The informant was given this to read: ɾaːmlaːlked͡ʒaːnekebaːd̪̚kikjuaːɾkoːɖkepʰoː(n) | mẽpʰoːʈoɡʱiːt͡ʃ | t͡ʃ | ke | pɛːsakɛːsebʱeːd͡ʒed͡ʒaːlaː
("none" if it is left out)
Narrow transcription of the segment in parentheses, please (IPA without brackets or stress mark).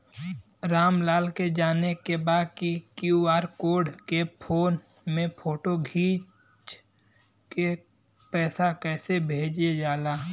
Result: n